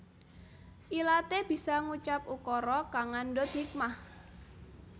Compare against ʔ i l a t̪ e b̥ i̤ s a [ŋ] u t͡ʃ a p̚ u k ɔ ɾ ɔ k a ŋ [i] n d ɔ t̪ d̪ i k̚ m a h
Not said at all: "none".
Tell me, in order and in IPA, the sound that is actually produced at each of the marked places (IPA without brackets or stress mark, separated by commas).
ŋ, a